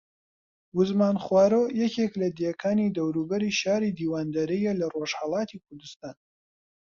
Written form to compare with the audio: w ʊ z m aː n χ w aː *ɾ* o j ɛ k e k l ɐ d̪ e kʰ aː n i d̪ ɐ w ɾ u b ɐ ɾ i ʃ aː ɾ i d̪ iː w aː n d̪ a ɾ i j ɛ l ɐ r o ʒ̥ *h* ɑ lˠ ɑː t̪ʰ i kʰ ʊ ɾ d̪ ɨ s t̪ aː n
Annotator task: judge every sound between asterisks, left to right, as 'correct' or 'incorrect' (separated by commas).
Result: correct, correct